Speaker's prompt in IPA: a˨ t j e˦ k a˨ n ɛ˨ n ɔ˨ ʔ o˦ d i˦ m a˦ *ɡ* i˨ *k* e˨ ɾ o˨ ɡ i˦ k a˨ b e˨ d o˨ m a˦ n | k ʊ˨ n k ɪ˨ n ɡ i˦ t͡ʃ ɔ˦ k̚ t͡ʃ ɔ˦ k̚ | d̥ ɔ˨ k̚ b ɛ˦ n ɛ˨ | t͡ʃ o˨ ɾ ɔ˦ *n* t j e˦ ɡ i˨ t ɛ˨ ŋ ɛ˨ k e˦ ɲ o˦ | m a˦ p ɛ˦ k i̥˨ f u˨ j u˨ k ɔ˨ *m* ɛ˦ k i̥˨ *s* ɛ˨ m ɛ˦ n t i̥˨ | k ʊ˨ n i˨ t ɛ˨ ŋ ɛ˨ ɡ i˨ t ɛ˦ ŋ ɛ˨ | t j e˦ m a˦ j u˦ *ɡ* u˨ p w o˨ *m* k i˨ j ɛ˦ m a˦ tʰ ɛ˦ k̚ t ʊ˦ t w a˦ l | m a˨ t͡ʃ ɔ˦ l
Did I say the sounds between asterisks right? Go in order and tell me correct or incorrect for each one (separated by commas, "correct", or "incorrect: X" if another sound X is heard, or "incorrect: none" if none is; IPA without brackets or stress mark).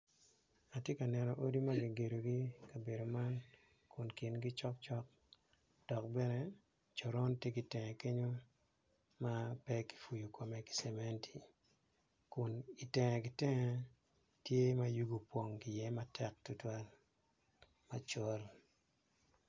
correct, incorrect: ɡ, correct, correct, correct, correct, incorrect: ŋ